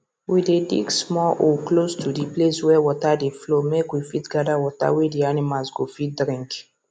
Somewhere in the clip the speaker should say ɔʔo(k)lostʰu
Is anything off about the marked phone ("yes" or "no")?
no